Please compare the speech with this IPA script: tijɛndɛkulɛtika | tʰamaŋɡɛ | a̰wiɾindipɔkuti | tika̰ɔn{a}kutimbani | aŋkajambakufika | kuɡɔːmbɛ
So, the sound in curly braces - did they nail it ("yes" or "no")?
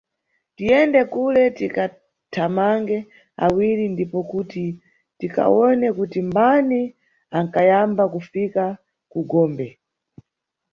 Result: no